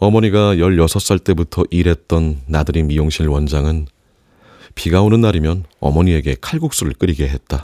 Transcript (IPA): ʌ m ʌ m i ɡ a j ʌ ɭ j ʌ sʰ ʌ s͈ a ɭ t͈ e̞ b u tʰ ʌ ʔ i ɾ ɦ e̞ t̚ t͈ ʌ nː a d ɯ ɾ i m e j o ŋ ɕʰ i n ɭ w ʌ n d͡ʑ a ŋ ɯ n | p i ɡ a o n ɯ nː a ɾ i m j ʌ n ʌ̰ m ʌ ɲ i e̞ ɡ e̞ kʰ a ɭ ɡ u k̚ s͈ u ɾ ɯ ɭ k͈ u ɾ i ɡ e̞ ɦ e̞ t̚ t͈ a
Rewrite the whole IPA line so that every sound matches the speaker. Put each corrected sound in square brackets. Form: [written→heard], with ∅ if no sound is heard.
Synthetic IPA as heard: ʌ m ʌ [m→ɲ] i ɡ a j ʌ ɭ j ʌ sʰ ʌ s͈ a ɭ t͈ e̞ b u tʰ ʌ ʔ i ɾ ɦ e̞ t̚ t͈ ʌ nː a d ɯ ɾ i m [e→i] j o ŋ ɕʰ i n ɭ w ʌ n d͡ʑ a ŋ ɯ n | p i ɡ a o n ɯ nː a ɾ i m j ʌ n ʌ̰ m ʌ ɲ i e̞ ɡ e̞ kʰ a ɭ ɡ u k̚ s͈ u ɾ ɯ ɭ k͈ [u→ɯ] ɾ i ɡ e̞ ɦ e̞ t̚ t͈ a